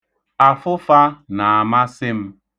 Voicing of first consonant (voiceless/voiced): voiceless